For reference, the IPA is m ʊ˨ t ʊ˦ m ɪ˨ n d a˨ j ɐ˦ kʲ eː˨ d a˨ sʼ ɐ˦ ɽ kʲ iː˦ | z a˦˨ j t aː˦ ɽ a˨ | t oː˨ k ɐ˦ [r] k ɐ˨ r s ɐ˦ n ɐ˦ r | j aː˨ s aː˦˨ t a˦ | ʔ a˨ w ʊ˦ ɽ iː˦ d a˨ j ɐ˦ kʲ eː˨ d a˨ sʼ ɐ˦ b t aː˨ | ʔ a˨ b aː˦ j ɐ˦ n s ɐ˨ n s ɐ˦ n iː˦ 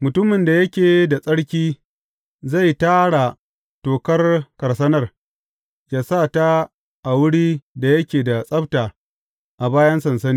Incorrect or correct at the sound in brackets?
correct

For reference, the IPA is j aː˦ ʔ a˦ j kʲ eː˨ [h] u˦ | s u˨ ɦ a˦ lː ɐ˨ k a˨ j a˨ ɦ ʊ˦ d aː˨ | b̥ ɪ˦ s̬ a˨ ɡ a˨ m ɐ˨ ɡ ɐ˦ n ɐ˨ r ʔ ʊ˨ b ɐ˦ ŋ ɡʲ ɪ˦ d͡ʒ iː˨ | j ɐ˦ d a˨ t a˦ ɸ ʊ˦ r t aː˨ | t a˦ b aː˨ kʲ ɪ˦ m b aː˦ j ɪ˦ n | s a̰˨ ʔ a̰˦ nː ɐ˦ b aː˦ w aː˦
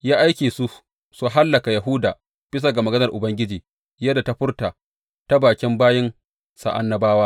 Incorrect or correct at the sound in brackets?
incorrect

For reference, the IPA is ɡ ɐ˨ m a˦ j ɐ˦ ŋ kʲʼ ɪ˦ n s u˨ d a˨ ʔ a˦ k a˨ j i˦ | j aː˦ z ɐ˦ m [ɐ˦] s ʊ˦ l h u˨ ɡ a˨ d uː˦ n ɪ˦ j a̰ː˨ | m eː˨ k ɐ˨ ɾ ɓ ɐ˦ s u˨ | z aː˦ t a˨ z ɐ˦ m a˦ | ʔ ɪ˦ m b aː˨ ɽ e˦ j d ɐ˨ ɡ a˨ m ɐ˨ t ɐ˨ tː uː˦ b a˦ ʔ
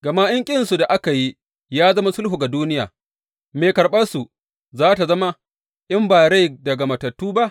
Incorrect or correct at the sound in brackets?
incorrect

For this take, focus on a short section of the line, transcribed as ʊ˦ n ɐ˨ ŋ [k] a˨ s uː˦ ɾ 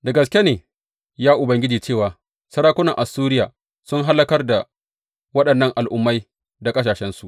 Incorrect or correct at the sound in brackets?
incorrect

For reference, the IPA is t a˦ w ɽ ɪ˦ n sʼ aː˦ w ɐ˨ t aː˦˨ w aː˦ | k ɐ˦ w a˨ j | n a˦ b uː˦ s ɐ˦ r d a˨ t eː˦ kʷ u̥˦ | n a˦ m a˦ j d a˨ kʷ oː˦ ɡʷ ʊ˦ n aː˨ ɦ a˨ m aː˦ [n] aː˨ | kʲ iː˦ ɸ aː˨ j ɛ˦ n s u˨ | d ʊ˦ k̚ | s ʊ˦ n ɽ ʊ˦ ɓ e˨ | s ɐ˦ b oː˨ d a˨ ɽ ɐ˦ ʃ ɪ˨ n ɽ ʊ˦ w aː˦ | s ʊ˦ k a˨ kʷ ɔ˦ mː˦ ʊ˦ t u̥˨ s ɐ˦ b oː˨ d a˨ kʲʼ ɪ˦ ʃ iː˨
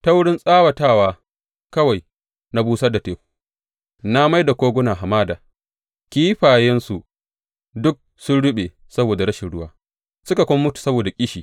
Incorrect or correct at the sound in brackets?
incorrect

